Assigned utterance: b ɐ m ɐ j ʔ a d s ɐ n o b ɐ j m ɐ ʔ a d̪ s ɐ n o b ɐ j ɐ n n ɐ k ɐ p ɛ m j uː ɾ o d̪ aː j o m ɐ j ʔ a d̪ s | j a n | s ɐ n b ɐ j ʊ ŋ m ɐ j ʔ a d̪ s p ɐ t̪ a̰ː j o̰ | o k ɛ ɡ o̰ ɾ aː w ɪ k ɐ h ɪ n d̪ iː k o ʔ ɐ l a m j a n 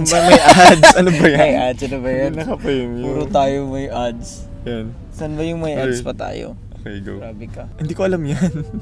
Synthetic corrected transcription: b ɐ m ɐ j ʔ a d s ɐ n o b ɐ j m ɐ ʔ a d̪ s ɐ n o b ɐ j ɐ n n ɐ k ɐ p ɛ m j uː ɾ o t̪ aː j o m ɐ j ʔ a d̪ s | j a n | s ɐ n b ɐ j ʊ ŋ m ɐ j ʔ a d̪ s p ɐ t̪ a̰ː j o̰ | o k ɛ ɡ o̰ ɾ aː b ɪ k ɐ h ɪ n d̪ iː k o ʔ ɐ l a m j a n